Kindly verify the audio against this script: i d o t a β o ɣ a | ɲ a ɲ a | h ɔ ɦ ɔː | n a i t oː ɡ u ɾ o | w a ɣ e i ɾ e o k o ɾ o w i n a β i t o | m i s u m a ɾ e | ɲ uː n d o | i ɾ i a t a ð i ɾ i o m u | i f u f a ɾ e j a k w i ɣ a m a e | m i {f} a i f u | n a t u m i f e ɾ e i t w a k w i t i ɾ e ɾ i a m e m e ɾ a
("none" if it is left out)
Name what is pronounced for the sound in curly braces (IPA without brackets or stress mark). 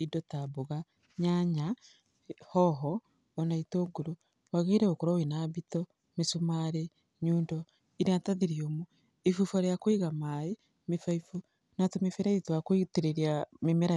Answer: f